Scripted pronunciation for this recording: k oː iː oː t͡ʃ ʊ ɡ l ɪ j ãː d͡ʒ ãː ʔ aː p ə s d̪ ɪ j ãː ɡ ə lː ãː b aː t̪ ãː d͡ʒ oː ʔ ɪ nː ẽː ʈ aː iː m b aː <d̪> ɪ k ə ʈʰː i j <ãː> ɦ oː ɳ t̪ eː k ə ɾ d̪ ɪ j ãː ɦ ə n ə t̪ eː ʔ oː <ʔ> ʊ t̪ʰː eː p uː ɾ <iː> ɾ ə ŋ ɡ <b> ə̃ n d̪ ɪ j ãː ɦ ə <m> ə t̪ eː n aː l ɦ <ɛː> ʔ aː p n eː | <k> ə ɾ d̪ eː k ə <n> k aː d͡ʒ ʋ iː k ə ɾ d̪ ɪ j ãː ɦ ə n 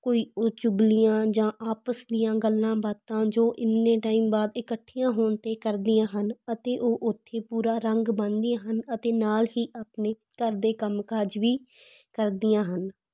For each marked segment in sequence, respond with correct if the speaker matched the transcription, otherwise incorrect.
correct, correct, correct, incorrect: aː, correct, incorrect: n, incorrect: iː, correct, incorrect: m

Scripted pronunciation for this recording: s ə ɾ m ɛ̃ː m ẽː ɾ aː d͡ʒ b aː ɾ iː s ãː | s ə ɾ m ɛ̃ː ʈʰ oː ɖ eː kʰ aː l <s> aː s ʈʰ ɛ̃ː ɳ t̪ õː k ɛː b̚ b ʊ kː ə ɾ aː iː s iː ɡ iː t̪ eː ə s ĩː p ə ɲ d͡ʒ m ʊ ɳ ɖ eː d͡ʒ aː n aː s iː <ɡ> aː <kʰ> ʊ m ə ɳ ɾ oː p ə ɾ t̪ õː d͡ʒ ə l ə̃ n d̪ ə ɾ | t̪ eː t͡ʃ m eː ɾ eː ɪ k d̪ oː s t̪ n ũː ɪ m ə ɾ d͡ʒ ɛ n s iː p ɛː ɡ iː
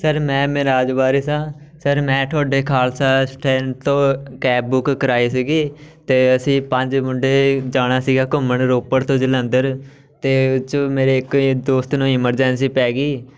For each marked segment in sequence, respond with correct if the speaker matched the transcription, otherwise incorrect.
correct, correct, incorrect: k

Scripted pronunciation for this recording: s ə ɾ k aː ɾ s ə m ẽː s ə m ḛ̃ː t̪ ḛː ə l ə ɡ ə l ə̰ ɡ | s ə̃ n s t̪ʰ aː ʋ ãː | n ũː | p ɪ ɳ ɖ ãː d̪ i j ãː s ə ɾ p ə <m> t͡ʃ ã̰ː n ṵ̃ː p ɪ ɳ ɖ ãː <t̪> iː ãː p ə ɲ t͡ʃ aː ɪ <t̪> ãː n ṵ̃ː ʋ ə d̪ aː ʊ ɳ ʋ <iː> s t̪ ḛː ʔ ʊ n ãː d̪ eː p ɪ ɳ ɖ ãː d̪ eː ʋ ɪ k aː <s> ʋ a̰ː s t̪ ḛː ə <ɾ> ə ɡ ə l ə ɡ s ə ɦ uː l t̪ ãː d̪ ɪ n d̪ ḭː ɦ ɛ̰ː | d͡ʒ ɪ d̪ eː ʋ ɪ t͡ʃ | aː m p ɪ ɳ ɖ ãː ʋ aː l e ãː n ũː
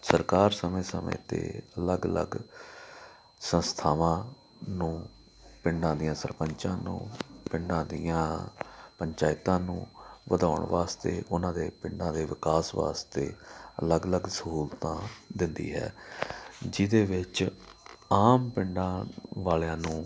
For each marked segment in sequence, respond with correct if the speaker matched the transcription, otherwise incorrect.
incorrect: ɲ, incorrect: d̪, correct, incorrect: aː, correct, incorrect: l

